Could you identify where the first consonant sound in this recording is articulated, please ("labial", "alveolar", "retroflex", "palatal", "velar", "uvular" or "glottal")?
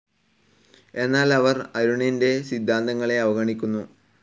alveolar